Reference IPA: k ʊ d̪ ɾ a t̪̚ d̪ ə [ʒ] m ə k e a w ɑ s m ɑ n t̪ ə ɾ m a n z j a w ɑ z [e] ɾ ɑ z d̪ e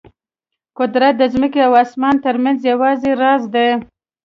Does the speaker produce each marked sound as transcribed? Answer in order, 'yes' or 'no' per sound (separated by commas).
no, yes